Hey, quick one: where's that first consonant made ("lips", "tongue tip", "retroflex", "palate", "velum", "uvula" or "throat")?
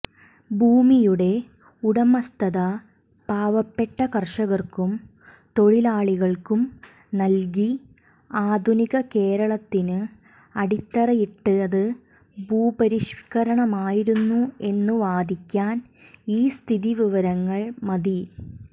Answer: lips